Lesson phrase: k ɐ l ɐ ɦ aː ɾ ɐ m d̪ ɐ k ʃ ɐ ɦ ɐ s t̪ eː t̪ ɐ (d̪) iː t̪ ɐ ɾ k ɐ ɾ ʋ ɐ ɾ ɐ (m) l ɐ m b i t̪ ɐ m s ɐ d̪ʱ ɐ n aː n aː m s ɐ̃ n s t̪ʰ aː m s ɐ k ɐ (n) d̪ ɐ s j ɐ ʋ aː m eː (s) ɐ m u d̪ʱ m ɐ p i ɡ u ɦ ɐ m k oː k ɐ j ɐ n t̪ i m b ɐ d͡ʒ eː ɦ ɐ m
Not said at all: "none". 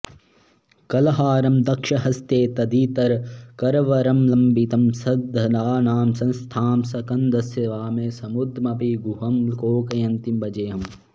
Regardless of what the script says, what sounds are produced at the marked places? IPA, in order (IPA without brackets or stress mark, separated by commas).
d̪, m, n, s